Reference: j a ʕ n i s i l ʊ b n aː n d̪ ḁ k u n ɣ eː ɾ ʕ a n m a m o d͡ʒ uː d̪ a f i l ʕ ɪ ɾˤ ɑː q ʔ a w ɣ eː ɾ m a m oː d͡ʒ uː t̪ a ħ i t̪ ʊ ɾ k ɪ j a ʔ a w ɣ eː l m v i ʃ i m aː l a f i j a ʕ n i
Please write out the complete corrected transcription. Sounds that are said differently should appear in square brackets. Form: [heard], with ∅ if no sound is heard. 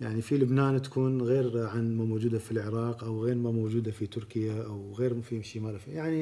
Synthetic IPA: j a ʕ n i [f] i l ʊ b n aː n [t̪] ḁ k [uː] n ɣ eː ɾ ʕ a n m a m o d͡ʒ uː d̪ a f i l ʕ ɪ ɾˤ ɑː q ʔ a w ɣ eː ɾ m a m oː d͡ʒ uː [d̪] a [f] i t̪ ʊ ɾ k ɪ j a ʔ a w ɣ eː [ɾ] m [f] i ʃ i m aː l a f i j a ʕ n i